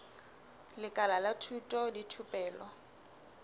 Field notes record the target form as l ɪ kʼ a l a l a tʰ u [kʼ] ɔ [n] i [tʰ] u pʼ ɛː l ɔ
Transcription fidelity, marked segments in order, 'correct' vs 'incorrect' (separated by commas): incorrect, incorrect, correct